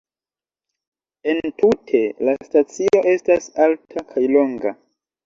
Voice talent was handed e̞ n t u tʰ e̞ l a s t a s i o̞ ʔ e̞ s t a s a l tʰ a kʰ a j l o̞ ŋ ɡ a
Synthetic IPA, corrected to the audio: e̞ n t u tʰ e̞ l a s t a t͡s i o̞ ʔ e̞ s t a s a l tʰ a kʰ a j l o̞ ŋ ɡ a